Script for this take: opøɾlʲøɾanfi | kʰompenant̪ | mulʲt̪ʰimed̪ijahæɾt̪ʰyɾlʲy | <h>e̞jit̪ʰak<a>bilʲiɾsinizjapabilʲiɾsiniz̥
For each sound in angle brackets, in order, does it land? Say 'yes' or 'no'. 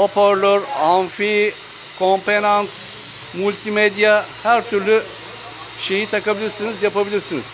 no, yes

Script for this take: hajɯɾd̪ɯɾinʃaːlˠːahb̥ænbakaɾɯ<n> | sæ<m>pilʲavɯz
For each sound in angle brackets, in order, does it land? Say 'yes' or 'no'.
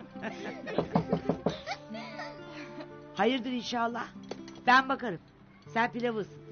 no, no

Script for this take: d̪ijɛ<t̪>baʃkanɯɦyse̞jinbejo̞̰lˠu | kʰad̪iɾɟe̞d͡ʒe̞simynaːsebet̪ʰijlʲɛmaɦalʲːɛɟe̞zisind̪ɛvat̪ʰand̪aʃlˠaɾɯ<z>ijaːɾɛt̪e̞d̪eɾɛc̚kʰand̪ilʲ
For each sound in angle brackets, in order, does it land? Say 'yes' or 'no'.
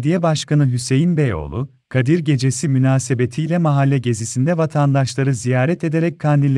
no, yes

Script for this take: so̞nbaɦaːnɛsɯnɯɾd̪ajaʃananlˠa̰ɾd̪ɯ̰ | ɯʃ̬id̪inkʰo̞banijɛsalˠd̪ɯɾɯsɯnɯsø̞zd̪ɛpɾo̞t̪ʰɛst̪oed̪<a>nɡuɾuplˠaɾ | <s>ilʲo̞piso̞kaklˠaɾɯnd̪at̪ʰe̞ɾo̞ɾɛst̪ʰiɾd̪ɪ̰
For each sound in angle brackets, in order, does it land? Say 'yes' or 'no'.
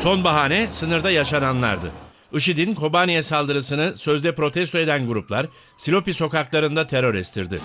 no, yes

